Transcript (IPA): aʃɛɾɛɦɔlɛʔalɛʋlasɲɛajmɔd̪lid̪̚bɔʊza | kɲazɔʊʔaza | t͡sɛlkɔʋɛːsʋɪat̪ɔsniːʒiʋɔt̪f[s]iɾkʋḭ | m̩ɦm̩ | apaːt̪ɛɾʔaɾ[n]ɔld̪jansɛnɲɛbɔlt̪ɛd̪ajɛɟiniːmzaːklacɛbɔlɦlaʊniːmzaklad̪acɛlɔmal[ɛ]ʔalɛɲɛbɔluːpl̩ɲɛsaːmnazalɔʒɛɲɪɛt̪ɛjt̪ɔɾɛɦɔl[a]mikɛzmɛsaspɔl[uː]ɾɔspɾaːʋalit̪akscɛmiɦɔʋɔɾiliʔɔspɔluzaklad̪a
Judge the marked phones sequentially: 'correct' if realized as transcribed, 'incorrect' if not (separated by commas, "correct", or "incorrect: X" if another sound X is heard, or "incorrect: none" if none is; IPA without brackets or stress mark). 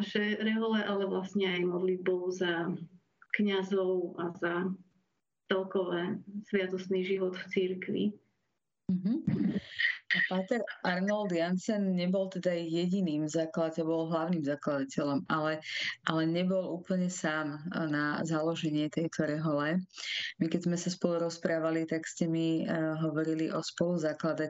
incorrect: t͡s, correct, correct, incorrect: ɛ, incorrect: u